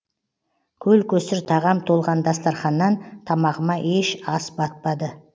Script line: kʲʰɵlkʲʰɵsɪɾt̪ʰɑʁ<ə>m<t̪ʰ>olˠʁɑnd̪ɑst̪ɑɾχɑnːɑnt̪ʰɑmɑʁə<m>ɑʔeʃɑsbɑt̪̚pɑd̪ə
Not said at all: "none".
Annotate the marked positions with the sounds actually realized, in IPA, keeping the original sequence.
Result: ɑ, t̪ʰ, m

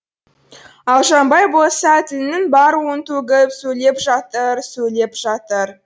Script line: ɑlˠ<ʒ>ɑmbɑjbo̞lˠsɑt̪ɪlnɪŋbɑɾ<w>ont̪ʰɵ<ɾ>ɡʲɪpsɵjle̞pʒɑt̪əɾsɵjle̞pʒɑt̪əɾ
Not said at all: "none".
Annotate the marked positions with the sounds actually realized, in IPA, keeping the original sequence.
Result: ʒ, w, none

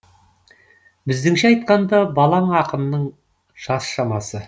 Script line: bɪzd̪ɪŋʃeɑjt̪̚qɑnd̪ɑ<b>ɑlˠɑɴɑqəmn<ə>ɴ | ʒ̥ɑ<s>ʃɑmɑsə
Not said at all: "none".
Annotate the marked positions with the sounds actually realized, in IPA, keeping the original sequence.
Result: b, ə, s

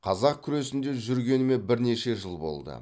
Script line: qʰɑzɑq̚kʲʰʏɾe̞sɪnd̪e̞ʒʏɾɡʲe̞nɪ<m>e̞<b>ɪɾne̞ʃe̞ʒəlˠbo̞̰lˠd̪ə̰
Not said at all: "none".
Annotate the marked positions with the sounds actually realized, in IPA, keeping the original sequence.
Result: m, b

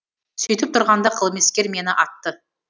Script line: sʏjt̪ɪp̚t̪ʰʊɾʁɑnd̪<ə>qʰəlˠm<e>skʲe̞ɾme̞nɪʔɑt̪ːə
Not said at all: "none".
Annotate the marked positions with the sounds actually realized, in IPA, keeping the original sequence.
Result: ɑ, e

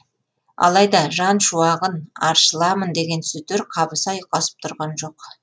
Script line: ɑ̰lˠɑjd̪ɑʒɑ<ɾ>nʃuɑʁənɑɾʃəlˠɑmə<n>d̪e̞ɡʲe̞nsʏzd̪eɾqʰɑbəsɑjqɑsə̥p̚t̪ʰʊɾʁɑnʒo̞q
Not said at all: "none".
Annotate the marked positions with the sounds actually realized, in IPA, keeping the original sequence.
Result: none, n

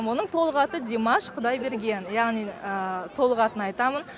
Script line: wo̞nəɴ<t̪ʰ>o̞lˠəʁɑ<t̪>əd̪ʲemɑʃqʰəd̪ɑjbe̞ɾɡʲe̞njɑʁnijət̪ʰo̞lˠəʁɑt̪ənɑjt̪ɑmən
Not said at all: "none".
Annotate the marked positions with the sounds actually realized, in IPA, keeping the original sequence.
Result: t̪ʰ, t̪

